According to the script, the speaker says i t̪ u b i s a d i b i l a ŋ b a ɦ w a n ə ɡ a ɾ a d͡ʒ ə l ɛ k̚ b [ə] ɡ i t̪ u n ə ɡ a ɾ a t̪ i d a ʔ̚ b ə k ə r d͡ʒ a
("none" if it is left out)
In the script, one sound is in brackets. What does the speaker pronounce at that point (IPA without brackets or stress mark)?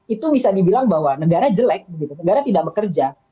ə